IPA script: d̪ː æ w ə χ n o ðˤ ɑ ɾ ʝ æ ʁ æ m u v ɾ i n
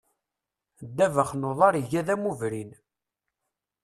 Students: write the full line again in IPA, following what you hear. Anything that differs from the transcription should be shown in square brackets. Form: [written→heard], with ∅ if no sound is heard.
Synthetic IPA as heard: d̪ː æ [w→v] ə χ n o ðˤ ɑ ɾ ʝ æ [ʁ→ð] æ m u v ɾ i n